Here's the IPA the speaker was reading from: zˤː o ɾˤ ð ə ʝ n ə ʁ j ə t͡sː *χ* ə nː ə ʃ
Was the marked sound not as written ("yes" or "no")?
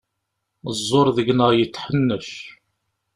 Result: yes